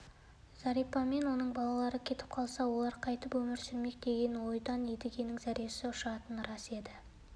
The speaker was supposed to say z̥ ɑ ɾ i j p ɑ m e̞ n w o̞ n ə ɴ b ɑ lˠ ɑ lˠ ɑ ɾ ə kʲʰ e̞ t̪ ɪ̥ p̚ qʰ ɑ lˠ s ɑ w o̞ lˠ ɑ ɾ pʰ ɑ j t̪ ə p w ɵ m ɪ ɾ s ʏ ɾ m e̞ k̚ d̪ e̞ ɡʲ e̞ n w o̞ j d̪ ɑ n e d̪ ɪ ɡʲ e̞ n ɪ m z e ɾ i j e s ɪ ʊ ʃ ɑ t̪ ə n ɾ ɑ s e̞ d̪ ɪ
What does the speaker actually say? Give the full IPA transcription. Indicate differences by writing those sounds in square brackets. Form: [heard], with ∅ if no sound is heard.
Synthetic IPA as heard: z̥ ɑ ɾ i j p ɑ m e̞ n w o̞ n ə ɴ b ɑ lˠ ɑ lˠ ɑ ɾ ə kʲʰ e̞ t̪ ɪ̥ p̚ qʰ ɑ lˠ s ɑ w o̞ lˠ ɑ ɾ [qʰ] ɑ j t̪ ə p w ɵ m ɪ ɾ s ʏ ɾ m e̞ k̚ d̪ e̞ ɡʲ e̞ n w o̞ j d̪ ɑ n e d̪ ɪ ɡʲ e̞ n ɪ [ŋ] z [æ] ɾ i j e s ɪ ʊ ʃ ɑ t̪ ə n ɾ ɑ s e̞ d̪ ɪ